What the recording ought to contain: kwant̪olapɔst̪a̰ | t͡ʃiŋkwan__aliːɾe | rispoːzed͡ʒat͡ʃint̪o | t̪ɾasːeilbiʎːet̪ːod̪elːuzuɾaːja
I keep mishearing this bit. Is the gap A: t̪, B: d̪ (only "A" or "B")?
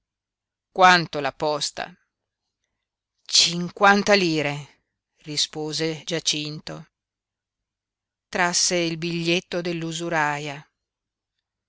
A